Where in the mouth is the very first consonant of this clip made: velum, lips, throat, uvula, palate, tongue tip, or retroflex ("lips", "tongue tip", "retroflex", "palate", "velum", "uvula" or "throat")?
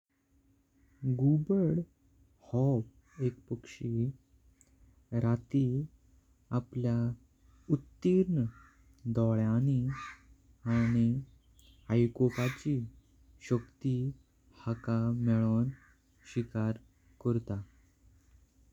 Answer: velum